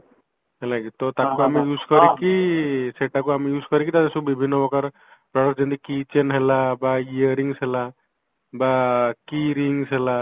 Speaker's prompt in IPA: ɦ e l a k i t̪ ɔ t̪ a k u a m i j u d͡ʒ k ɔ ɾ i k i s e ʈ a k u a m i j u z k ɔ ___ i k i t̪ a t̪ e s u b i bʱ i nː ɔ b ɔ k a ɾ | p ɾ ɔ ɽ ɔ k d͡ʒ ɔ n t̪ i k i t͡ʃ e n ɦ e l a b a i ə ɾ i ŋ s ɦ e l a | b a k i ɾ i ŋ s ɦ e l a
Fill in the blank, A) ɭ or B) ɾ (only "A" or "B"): B